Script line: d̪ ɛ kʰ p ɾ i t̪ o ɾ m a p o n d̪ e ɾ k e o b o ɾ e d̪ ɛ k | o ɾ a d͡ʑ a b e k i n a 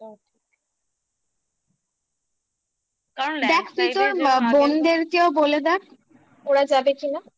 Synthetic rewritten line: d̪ ɛ kʰ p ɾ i t̪ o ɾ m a b o n d̪ e ɾ k e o b o l e d̪ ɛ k | o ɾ a d͡ʑ a b e k i n a